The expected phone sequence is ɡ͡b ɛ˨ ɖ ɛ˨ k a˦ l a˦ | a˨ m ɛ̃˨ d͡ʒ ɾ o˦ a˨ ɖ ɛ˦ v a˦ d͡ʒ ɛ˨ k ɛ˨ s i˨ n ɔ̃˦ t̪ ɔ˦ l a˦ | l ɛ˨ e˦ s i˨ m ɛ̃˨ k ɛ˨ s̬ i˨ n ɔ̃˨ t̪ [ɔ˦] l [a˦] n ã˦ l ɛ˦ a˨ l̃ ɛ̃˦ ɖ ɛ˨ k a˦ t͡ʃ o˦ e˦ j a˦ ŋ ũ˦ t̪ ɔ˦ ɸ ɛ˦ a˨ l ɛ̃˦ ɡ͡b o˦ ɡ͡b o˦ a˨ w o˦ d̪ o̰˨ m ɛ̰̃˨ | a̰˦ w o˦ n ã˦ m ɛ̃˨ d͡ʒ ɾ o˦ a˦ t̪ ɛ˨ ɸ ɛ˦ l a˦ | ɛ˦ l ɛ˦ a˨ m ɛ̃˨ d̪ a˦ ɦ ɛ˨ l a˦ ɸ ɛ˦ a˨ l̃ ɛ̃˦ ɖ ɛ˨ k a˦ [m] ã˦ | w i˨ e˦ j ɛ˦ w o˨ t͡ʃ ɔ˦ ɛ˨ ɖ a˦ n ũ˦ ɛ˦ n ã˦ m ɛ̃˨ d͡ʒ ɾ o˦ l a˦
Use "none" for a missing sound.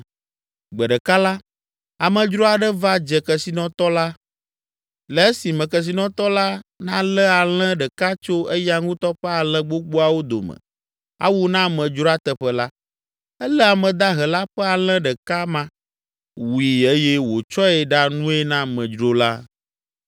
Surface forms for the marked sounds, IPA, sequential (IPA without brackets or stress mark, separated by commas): ɔ˦, a˦, m